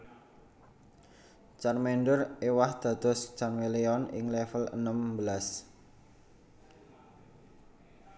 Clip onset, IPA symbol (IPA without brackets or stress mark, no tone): t͡ʃ